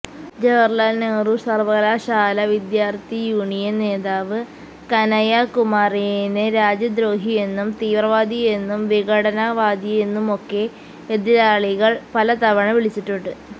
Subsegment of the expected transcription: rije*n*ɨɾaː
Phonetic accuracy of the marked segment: correct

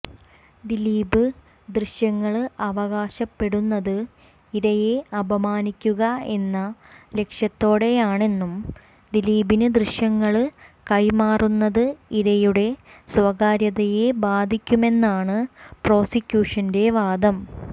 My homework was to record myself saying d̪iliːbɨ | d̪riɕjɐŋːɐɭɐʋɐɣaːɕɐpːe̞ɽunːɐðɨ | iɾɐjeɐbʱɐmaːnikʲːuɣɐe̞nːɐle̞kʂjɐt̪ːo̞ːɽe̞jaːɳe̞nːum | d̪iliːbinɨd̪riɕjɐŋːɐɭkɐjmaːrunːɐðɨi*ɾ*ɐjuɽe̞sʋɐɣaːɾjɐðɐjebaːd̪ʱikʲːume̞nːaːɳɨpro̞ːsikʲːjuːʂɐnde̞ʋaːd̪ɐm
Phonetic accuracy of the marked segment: correct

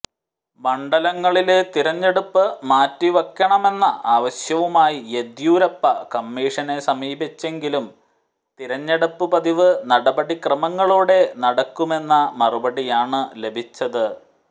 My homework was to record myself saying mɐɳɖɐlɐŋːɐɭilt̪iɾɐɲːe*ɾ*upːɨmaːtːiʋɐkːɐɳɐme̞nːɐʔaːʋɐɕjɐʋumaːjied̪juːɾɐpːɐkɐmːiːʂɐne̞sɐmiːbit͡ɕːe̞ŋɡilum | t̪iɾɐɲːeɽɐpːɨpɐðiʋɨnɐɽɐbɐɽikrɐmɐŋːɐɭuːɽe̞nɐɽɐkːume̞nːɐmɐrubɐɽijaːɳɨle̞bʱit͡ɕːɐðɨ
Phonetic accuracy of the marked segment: incorrect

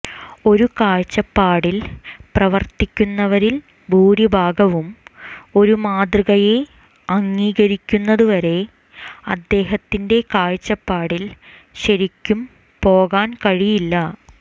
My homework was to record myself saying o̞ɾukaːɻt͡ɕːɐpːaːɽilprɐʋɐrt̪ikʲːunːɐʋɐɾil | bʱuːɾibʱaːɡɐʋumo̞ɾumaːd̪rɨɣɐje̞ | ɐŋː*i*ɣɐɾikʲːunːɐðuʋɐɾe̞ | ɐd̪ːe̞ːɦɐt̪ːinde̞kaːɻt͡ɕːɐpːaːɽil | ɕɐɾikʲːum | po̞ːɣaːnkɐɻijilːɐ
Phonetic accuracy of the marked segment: incorrect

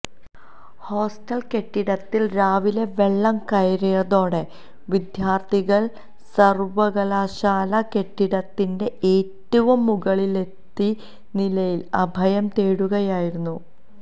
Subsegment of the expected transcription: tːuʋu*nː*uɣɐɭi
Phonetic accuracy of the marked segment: incorrect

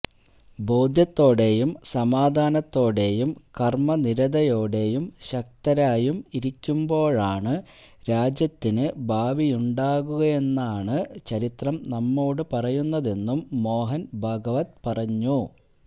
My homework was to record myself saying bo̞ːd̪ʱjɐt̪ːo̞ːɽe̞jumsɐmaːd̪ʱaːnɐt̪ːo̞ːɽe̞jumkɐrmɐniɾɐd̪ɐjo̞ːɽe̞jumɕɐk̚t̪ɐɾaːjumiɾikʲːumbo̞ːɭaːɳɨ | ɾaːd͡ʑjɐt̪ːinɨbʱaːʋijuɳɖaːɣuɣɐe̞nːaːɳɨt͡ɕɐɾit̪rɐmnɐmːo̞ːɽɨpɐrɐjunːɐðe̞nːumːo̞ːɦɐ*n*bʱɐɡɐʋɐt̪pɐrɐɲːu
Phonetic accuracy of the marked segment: correct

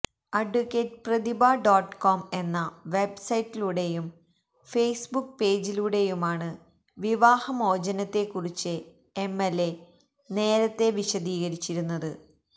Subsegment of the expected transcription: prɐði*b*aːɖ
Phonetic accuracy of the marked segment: correct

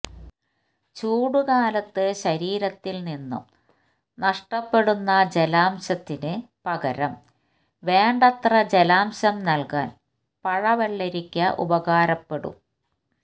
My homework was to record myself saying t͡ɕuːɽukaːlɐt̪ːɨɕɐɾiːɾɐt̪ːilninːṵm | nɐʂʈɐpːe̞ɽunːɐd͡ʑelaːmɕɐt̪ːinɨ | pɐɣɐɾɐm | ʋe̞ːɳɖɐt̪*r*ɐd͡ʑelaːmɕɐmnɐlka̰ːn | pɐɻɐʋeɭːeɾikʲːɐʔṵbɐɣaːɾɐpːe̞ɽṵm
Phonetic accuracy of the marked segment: correct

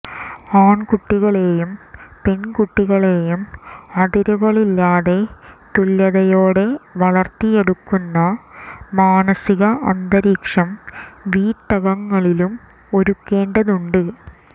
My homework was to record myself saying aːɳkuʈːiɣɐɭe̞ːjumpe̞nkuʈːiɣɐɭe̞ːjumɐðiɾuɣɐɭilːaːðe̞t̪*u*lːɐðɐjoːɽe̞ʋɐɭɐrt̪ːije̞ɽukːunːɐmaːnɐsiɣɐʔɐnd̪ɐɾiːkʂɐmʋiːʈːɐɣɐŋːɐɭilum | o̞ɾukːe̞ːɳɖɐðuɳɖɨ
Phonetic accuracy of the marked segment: correct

